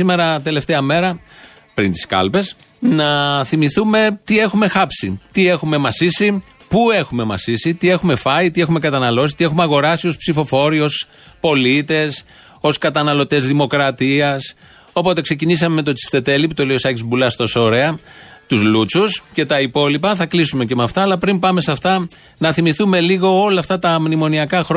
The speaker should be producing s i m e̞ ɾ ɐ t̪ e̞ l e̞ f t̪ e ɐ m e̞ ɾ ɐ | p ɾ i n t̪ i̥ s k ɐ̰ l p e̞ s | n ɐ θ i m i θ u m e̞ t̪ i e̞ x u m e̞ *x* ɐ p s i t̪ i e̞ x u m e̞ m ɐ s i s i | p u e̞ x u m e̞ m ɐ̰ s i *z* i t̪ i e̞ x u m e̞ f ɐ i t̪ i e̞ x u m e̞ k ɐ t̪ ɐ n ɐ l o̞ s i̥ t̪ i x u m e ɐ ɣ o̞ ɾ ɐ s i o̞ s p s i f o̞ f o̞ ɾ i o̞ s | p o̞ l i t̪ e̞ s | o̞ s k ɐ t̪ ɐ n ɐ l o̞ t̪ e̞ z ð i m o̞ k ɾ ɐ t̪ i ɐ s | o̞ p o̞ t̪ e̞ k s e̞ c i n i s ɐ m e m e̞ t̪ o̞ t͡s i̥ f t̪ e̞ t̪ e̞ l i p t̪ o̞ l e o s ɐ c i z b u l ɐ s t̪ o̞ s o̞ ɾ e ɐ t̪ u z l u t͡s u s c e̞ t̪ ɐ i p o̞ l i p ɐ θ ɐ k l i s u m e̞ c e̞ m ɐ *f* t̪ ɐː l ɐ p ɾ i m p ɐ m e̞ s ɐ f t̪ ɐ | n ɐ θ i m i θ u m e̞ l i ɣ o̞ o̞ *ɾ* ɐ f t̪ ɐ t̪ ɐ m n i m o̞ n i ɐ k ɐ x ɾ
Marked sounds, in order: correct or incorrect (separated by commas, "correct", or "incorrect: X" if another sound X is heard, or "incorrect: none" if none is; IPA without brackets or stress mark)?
correct, incorrect: s, correct, incorrect: l